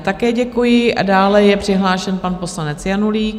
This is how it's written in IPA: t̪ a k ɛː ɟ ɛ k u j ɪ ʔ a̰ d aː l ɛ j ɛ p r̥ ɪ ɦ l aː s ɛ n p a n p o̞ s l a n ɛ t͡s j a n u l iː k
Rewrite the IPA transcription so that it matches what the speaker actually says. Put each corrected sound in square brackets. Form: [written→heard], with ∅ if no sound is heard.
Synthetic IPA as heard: t̪ a k ɛː ɟ ɛ k u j ɪ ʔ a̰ d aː l ɛ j ɛ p r̥ ɪ ɦ l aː [s→ʃ] ɛ n p a n p o̞ s l a n ɛ t͡s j a n u l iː k